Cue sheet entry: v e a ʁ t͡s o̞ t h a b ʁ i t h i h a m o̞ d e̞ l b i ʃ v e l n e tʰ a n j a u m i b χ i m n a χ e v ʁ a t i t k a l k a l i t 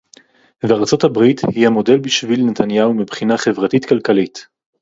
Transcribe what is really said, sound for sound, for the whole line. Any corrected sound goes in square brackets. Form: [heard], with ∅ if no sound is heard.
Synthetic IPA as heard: v e a ʁ t͡s o̞ t h a b ʁ i t h i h a m o̞ d e̞ l b i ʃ v [i] l n e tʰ a n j a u m i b χ i [∅] n a χ e v ʁ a t i t k a l k a l i t